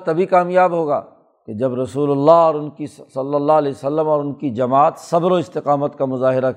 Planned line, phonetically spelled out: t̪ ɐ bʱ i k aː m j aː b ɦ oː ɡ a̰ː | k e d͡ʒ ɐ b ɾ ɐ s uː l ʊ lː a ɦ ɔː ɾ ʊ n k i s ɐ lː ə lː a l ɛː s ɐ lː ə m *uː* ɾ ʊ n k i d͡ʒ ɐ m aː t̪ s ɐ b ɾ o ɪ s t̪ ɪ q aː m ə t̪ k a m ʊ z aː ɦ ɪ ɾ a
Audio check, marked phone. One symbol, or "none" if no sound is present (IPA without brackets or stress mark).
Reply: ɔː